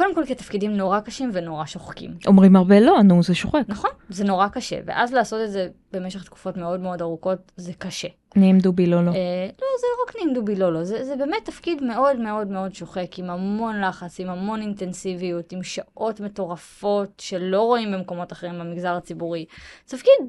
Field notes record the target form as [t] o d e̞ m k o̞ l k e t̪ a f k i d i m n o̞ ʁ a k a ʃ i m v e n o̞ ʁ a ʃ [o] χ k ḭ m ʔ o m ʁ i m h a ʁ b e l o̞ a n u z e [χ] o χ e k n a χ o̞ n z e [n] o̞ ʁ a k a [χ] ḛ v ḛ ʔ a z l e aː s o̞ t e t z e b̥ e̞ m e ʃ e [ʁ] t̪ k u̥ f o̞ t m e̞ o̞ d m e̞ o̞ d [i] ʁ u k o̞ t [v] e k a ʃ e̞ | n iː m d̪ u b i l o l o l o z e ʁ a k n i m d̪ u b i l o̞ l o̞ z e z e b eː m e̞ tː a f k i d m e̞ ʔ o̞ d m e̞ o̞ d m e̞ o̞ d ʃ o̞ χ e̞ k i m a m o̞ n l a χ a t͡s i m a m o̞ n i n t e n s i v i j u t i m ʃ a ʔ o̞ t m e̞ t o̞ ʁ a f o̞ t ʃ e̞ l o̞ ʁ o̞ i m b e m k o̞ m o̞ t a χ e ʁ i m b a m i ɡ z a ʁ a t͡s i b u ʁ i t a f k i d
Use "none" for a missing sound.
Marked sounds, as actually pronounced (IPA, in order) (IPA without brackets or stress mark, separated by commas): k, o, ʃ, n, ʃ, χ, a, z